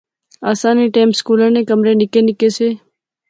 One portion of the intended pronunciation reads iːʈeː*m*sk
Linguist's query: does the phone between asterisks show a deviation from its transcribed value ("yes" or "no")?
no